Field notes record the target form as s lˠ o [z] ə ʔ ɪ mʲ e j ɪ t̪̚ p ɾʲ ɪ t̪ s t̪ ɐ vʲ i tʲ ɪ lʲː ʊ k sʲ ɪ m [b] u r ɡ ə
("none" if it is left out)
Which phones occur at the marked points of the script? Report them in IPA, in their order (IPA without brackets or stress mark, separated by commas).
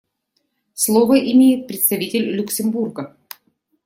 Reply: v, b